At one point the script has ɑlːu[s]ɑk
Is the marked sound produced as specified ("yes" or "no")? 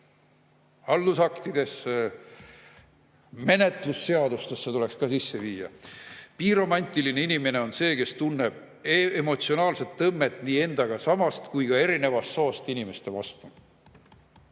yes